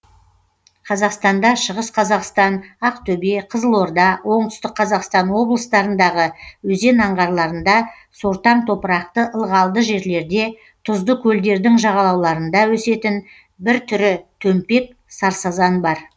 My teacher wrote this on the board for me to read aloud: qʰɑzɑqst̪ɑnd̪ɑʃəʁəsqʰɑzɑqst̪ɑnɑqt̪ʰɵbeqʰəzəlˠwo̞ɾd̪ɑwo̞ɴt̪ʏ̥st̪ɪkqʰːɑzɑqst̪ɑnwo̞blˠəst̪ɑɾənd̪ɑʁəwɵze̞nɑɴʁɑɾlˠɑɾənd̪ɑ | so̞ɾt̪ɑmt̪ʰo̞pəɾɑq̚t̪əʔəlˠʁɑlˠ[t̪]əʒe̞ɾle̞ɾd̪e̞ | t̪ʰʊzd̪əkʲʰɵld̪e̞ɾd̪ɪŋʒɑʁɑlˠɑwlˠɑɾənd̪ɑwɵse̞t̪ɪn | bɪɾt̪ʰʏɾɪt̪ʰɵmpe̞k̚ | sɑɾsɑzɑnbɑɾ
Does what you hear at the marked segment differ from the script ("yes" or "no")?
yes